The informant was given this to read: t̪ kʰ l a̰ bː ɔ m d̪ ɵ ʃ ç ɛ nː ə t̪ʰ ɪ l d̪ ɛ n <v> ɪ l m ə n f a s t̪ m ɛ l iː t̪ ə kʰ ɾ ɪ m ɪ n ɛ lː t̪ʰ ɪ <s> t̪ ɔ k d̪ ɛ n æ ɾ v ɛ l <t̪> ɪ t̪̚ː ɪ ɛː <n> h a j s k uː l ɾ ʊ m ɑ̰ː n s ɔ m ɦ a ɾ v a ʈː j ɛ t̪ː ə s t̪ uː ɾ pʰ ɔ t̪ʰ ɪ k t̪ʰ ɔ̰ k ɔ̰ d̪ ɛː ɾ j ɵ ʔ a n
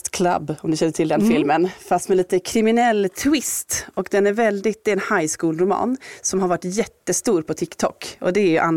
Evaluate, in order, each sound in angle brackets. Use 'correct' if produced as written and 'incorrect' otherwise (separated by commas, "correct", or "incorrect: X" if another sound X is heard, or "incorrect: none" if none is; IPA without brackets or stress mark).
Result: incorrect: f, correct, incorrect: d̪, correct